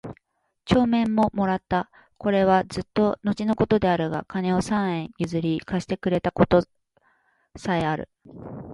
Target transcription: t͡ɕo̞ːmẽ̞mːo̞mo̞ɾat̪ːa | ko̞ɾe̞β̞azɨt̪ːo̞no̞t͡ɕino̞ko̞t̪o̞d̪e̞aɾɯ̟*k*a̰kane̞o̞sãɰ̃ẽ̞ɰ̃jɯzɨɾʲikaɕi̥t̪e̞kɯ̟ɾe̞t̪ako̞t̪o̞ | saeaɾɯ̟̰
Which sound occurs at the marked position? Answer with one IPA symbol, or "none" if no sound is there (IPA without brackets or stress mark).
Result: ɡ